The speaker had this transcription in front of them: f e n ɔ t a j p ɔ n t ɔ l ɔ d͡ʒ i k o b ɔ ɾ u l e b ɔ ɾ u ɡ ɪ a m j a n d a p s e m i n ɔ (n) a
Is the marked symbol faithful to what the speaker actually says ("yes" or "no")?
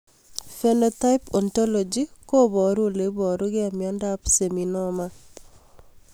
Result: no